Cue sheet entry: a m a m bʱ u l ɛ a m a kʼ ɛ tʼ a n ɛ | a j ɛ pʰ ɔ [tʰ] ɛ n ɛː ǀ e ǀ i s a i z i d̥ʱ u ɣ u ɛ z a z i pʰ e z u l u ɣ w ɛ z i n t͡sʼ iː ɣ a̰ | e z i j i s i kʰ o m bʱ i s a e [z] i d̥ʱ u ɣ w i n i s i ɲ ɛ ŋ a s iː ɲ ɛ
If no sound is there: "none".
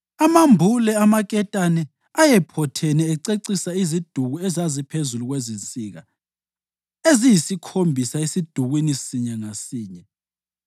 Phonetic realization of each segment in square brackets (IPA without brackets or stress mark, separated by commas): tʰ, s